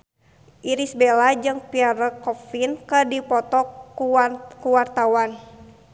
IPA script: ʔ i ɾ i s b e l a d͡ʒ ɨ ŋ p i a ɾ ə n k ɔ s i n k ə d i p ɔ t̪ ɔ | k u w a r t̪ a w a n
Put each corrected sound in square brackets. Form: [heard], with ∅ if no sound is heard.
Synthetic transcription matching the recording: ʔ i ɾ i s b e l a d͡ʒ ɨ ŋ p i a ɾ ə [∅] k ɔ [f] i n k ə d i p ɔ t̪ ɔ | k u w a r t̪ a w a n